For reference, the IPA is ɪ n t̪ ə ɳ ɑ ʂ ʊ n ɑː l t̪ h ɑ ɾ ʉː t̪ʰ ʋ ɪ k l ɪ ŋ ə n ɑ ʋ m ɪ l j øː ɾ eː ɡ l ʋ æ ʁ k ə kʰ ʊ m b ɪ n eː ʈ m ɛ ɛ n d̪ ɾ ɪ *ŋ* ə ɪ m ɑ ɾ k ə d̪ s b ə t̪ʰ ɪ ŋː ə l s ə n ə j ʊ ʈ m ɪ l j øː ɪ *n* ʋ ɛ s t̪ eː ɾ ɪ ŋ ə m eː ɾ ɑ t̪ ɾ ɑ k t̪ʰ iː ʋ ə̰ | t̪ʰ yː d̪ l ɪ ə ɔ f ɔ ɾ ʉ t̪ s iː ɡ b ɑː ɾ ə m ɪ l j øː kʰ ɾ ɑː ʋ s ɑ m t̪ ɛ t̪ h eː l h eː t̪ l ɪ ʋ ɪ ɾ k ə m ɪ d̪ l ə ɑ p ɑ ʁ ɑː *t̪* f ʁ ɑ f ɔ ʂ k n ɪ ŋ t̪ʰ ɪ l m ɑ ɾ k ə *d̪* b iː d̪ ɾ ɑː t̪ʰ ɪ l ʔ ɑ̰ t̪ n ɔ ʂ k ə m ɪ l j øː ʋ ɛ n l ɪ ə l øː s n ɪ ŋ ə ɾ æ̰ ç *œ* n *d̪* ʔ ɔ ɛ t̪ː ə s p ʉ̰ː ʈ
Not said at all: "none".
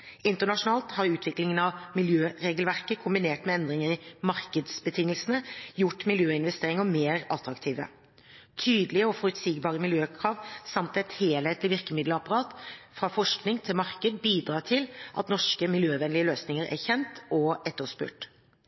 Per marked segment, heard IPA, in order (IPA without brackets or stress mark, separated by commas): ŋ, n, t̪, d̪, ɛ, t̪